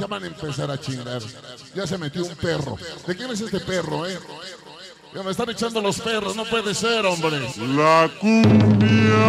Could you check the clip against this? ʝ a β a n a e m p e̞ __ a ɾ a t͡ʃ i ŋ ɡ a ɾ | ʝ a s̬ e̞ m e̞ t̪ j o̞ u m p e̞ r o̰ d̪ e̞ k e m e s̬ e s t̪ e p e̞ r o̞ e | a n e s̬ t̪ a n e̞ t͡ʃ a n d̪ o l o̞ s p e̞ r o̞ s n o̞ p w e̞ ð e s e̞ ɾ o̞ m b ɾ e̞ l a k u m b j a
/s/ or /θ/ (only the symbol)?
s